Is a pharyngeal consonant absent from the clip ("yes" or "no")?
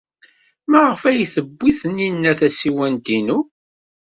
yes